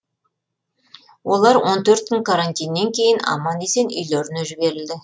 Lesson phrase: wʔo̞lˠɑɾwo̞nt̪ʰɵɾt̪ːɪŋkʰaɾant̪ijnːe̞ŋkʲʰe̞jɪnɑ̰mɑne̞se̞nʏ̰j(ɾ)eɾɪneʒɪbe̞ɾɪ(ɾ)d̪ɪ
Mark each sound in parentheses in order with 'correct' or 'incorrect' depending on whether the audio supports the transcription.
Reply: incorrect: l, incorrect: l

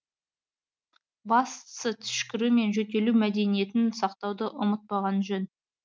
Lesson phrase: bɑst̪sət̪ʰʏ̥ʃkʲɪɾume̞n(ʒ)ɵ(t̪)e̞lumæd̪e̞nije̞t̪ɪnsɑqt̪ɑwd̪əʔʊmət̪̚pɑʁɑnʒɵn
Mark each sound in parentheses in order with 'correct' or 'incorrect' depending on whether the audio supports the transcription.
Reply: correct, correct

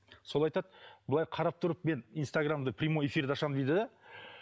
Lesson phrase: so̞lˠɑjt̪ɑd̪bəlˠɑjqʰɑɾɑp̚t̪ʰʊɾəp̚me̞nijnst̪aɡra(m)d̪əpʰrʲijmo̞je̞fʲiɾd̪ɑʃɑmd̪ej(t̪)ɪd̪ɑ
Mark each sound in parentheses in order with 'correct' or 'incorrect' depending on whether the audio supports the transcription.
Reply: correct, incorrect: d̪

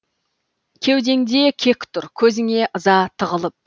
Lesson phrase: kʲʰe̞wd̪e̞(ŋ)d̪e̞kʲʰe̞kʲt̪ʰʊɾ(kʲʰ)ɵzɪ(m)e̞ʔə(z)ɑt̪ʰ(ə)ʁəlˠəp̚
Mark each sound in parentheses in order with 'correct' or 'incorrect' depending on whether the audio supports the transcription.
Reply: correct, correct, incorrect: ŋ, correct, correct

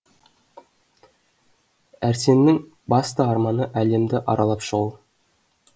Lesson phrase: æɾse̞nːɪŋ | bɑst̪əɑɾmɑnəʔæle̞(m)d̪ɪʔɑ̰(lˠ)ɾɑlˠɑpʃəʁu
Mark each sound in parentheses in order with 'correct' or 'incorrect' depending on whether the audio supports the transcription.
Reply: correct, incorrect: none

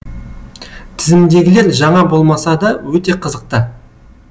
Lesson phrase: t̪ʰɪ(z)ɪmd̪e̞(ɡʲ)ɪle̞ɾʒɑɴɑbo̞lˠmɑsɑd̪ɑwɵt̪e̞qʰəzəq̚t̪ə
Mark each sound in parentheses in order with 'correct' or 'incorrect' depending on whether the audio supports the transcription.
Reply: correct, correct

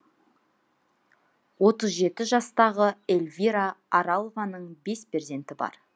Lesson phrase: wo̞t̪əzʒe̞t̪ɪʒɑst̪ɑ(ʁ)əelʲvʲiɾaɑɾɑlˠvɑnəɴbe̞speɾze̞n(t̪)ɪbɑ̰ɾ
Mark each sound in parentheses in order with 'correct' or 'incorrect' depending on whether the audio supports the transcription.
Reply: correct, correct

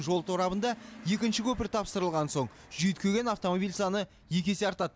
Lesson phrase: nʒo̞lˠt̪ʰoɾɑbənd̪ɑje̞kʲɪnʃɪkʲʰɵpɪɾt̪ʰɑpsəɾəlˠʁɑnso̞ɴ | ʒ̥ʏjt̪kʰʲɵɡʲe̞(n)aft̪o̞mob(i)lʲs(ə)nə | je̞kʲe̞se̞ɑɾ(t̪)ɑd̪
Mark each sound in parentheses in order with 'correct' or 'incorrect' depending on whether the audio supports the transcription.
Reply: correct, correct, incorrect: ɑ, correct

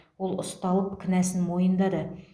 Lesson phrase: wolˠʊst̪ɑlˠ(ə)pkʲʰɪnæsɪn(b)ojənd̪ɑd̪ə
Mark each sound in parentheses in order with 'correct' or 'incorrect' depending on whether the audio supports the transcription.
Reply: correct, incorrect: m

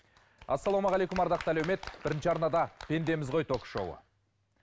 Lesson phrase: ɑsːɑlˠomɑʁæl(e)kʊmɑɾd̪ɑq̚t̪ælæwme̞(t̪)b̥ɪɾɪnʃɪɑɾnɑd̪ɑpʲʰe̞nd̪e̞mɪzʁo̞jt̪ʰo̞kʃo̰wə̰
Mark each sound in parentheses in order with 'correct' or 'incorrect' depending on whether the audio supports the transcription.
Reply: correct, correct

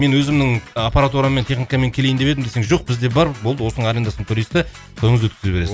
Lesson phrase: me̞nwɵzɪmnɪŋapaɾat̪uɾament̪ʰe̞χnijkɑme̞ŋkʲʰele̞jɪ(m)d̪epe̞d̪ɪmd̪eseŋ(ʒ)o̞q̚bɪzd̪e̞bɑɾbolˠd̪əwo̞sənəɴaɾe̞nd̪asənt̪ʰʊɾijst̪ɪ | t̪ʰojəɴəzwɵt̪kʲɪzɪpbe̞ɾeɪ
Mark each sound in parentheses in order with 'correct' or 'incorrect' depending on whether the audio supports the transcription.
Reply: incorrect: n, correct

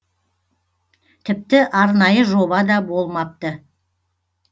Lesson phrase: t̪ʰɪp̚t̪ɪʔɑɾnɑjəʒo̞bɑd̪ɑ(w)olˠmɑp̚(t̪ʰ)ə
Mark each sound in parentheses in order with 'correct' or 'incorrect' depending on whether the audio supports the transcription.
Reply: incorrect: b, incorrect: t̪

